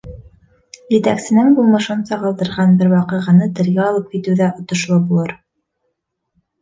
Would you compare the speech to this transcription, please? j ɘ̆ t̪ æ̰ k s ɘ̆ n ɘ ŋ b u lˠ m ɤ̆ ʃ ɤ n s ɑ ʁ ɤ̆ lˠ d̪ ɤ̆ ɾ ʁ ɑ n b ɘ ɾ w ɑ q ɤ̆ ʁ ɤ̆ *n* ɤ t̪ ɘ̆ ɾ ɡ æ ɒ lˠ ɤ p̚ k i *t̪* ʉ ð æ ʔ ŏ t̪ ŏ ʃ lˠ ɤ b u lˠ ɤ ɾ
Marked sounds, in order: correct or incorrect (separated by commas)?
correct, correct